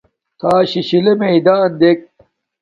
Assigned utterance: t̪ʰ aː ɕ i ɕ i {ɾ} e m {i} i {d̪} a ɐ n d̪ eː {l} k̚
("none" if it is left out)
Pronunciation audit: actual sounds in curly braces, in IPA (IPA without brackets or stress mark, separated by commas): l, e, d̪, none